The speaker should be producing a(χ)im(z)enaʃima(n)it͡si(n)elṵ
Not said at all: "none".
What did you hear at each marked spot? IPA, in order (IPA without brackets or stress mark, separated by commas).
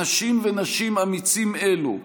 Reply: ʃ, v, m, m